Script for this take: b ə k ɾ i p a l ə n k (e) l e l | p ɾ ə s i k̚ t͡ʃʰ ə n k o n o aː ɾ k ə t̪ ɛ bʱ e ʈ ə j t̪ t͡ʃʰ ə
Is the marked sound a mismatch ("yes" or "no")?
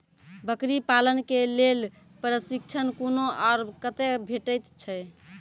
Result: no